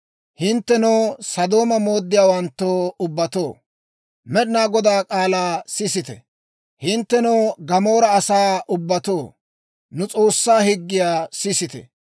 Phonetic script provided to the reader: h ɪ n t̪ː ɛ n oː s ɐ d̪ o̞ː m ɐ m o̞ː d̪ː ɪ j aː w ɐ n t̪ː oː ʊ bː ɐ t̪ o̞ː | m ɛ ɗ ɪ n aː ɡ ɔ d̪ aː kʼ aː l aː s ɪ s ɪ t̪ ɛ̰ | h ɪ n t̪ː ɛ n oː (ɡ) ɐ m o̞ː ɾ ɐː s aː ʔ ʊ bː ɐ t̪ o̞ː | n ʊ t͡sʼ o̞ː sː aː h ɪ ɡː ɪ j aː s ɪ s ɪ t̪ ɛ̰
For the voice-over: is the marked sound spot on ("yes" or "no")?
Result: yes